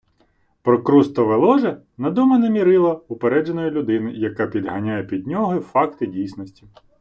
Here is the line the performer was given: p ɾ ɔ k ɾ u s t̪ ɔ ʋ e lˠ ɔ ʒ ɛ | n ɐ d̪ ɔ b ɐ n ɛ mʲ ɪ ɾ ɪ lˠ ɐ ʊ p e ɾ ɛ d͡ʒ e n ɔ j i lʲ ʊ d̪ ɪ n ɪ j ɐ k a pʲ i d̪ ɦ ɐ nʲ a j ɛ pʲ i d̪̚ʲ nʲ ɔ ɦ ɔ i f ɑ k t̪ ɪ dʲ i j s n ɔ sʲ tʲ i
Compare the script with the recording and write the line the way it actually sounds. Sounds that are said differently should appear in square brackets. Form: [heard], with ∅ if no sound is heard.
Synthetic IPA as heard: p ɾ ɔ k ɾ u s t̪ ɔ ʋ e lˠ ɔ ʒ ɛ | n ɐ d̪ ɔ [m] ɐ n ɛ mʲ [i] ɾ ɪ lˠ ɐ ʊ p e ɾ ɛ d͡ʒ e n ɔ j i lʲ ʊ d̪ ɪ n ɪ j ɐ k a pʲ i d̪ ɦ ɐ nʲ a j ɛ pʲ i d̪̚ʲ nʲ ɔ ɦ ɔ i f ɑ k t̪ ɪ dʲ i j s n ɔ sʲ tʲ i

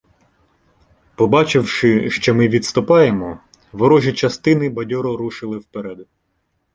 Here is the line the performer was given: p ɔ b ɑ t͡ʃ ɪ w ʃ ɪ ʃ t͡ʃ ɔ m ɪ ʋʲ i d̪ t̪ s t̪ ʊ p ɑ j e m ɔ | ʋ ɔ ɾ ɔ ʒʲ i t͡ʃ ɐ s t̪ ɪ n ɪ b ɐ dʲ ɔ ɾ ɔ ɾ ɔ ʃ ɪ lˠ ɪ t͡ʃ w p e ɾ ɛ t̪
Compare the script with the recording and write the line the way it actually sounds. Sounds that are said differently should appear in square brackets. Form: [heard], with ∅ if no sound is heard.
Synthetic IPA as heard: p ɔ b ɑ t͡ʃ ɪ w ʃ ɪ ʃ t͡ʃ ɔ m ɪ ʋʲ i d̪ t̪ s t̪ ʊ p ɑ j e m ɔ | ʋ ɔ ɾ ɔ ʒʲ i t͡ʃ ɐ s t̪ ɪ n ɪ b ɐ dʲ ɔ ɾ ɔ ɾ [u] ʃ ɪ lˠ ɪ [∅] w p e ɾ ɛ [d̪]

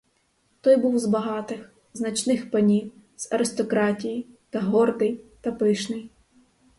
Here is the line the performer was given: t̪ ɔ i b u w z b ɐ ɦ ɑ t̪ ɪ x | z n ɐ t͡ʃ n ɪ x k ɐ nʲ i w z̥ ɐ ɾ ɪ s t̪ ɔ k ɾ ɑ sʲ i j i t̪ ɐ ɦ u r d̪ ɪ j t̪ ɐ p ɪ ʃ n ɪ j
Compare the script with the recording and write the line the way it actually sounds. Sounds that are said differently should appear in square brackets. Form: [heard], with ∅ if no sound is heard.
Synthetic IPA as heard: t̪ ɔ [j] b u w z b ɐ ɦ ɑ t̪ ɪ x | z n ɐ t͡ʃ n ɪ x [p] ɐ nʲ i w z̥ ɐ ɾ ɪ s t̪ ɔ k ɾ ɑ [tʲ] i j i t̪ ɐ ɦ [ɔ] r d̪ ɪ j t̪ ɐ p ɪ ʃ n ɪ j

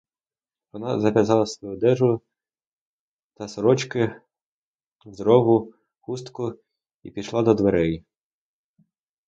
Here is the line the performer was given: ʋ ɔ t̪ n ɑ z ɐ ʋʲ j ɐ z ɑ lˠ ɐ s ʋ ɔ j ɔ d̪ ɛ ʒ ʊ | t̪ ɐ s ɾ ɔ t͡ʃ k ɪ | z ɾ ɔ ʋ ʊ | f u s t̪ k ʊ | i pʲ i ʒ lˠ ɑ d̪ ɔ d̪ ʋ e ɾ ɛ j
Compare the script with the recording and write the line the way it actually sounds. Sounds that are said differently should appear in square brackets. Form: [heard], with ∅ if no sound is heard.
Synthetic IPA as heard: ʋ ɔ [∅] n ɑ z ɐ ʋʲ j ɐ z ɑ lˠ ɐ s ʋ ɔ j [u] d̪ ɛ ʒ ʊ | t̪ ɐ s ɾ ɔ t͡ʃ k ɪ | z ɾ ɔ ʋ ʊ | [x] u s t̪ k ʊ | i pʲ i [ʃ] lˠ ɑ d̪ ɔ d̪ ʋ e ɾ ɛ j

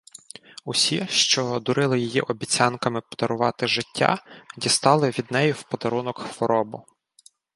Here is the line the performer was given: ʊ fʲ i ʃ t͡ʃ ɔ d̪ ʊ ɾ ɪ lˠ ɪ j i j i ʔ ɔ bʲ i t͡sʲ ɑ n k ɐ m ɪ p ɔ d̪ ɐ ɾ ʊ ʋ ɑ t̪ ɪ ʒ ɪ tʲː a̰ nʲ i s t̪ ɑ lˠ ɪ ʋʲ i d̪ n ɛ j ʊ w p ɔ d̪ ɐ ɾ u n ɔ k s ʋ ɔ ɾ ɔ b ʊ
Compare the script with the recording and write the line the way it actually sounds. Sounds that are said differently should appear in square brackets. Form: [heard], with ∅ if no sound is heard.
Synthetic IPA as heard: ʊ [sʲ] i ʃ t͡ʃ ɔ d̪ ʊ ɾ ɪ lˠ ɪ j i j i ʔ ɔ bʲ i t͡sʲ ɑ n k ɐ m ɪ p ɔ d̪ ɐ ɾ ʊ ʋ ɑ t̪ ɪ ʒ ɪ tʲː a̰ [dʲ] i s t̪ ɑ lˠ ɪ ʋʲ i d̪ n ɛ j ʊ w p ɔ d̪ ɐ ɾ u n ɔ k [x] ʋ ɔ ɾ ɔ b ʊ

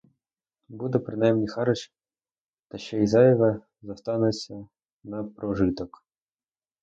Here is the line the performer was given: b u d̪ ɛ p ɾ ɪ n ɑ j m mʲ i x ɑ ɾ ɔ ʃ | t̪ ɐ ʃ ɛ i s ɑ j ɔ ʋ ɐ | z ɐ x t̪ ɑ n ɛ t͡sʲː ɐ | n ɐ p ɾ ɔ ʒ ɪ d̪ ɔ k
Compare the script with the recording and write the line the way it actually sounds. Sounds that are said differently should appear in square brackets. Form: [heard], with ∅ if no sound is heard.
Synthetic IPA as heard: b u d̪ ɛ p ɾ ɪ n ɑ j m [nʲ] i x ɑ ɾ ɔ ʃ | t̪ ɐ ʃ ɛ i [z] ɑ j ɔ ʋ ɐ | z ɐ [s] t̪ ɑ n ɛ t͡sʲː ɐ | n ɐ p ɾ ɔ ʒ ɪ [t̪] ɔ k

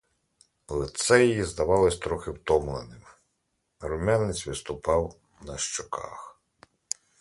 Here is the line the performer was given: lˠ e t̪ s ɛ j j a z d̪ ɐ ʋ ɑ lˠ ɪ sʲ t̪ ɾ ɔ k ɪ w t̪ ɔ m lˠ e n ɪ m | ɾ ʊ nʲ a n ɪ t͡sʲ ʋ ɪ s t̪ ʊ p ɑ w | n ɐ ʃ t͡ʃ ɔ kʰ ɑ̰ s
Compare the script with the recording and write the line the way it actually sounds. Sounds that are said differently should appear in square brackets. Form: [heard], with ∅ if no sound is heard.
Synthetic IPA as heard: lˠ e t̪ s ɛ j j [i] z d̪ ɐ ʋ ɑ lˠ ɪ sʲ t̪ ɾ ɔ [x] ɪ w t̪ ɔ m lˠ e n ɪ m | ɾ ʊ [mʲ] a n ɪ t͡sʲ ʋ ɪ s t̪ ʊ p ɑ w | n ɐ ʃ t͡ʃ ɔ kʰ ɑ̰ [x]

